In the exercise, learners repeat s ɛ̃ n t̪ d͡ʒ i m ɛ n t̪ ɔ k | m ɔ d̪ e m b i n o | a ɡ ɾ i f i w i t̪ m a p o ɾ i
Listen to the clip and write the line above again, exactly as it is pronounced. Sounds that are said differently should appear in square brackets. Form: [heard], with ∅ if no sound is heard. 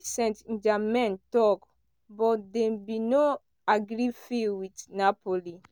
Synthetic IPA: s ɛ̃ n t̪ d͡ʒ [a] m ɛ n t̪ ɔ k | [b] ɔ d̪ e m b i n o | a ɡ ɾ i f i w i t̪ [n] a p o [l] i

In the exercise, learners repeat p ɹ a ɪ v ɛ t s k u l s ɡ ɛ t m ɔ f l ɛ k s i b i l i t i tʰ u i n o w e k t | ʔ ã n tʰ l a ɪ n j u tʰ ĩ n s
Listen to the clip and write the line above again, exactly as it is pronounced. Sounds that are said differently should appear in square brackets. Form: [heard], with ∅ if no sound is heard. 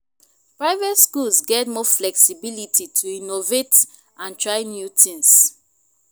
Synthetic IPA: p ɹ a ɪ v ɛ t s k u l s ɡ ɛ t m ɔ f l ɛ k s i b i l i t i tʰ u i n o [v] e [∅] t | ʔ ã n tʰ [ɹ] a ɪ n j u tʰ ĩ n s

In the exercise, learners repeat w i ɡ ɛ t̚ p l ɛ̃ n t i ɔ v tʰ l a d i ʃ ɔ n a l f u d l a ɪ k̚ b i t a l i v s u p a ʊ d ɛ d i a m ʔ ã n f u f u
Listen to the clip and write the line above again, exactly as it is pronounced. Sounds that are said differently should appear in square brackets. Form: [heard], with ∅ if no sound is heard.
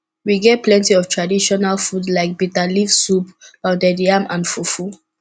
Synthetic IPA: w i ɡ ɛ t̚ p l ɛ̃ n t i ɔ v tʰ [ɹ] a d i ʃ ɔ n a l f u d l a ɪ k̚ b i t a l i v s u p a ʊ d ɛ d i a m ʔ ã n f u f u

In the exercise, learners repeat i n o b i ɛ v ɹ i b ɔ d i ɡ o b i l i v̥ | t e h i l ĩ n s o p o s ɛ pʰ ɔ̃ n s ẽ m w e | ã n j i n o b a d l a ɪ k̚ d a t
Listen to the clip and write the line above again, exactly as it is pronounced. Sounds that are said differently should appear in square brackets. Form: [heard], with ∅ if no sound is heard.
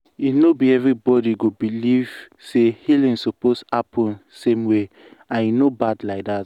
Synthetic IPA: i n o b i ɛ v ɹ i b ɔ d i ɡ o b i l i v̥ | [s] e h i l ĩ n s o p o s [a] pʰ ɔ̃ n s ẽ m w e | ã n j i n o b a d l a ɪ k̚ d a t

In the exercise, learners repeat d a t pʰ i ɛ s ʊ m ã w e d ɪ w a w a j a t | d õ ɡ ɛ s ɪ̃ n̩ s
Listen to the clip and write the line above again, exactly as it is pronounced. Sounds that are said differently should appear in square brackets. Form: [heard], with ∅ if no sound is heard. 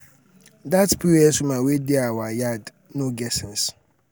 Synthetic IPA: d a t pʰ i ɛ s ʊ m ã w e d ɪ [∅] a w a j a [d] | [n] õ ɡ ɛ s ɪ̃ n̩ s

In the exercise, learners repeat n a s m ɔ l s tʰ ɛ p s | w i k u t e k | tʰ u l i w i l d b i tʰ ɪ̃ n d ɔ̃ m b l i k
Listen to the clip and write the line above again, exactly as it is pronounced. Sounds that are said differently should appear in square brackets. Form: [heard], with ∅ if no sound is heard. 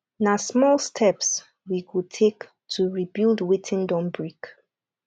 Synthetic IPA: n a s m ɔ l s tʰ ɛ p s | w i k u [tʰ] e k | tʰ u [ɹ] i [b] i l d [w] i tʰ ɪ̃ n d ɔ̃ m b [ɹ] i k

